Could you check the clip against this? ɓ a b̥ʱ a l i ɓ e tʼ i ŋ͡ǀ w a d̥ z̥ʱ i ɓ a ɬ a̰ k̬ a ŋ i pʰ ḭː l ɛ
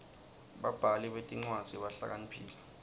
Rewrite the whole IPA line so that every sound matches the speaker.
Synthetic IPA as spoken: ɓ a b̥ʱ a l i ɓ e tʼ i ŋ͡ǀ w a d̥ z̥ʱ i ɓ a ɬ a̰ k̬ a n i pʰ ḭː l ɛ